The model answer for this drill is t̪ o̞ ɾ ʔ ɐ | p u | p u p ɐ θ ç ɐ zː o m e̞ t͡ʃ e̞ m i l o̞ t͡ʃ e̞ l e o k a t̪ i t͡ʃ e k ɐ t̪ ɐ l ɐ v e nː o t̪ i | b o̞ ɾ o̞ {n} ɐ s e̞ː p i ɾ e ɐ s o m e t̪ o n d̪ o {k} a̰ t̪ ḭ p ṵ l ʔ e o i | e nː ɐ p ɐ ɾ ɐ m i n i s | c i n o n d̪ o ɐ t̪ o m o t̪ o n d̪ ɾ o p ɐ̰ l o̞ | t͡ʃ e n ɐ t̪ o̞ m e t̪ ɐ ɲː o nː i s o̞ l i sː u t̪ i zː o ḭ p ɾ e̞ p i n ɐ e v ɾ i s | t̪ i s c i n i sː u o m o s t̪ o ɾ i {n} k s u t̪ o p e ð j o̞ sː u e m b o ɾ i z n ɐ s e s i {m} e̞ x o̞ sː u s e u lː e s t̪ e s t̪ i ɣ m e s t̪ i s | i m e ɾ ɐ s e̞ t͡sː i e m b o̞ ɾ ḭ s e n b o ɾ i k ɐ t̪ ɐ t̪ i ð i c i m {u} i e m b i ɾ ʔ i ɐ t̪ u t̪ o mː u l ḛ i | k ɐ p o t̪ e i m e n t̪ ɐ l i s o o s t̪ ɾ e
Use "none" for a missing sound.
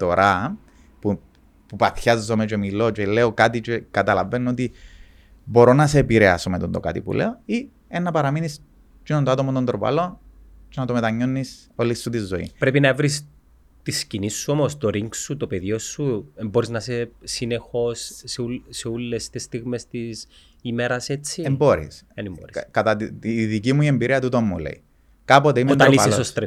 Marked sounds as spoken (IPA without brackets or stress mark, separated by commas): n, k, ŋ, n, u